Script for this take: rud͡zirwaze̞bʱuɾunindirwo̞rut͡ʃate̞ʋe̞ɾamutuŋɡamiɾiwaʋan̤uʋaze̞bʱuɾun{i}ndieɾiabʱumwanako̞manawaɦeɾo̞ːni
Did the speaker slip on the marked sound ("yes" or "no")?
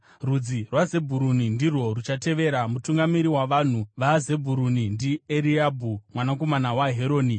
no